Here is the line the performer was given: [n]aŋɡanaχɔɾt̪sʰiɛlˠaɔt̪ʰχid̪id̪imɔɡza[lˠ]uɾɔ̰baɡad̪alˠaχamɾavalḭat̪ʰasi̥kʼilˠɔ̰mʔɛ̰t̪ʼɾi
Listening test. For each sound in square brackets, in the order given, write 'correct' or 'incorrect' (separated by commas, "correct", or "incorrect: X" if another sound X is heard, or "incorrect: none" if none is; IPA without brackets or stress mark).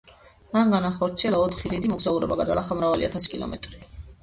incorrect: m, incorrect: none